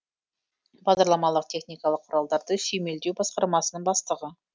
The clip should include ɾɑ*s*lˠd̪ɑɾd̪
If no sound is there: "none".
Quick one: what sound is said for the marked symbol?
none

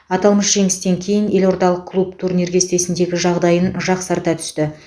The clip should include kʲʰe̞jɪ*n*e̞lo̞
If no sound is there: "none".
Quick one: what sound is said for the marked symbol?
n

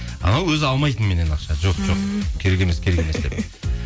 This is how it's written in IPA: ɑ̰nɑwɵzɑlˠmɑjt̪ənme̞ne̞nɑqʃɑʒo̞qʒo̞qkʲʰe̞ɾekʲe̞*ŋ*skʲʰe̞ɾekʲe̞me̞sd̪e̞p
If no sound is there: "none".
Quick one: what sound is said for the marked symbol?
m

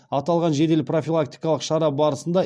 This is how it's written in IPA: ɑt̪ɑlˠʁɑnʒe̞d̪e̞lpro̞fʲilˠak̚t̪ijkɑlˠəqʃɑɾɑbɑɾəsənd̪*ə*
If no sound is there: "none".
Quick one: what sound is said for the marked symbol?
ɑ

